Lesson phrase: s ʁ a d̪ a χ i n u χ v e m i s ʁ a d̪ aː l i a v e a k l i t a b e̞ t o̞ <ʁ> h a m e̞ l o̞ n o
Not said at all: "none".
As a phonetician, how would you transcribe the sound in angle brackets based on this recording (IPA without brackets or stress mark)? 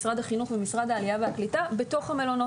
χ